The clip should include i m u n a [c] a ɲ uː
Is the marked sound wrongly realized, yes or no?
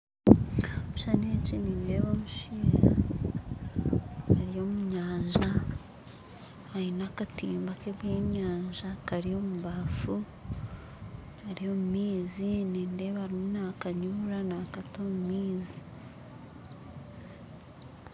yes